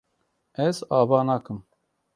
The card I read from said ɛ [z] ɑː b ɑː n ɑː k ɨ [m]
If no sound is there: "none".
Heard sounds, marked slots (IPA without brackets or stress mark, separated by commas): z, m